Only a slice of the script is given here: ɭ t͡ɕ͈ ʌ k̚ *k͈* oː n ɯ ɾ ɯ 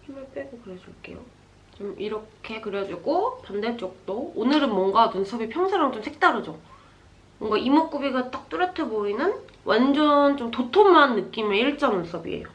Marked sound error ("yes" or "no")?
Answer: yes